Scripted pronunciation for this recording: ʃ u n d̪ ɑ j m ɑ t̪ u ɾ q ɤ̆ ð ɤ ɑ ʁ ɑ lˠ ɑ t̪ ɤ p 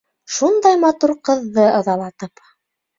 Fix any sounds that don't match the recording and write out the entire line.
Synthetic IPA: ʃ u n d̪ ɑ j m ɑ t̪ u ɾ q ɤ̆ ðː ɤ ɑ ð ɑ lˠ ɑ t̪ ɤ p